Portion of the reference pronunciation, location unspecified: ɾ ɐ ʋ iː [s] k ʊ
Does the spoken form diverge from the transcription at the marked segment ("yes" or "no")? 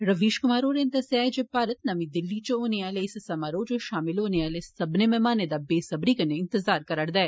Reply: yes